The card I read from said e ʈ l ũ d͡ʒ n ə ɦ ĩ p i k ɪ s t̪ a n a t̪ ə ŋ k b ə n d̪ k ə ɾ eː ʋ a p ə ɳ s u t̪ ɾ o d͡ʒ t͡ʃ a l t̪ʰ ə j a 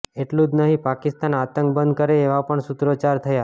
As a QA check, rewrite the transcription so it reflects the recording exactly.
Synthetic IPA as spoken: e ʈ l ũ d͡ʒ n ə ɦ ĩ p a k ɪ s t̪ a n a t̪ ə ŋ k b ə n d̪ k ə ɾ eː ʋ a p ə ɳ s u t̪ ɾ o t͡ʃ a ɾ t̪ʰ ə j a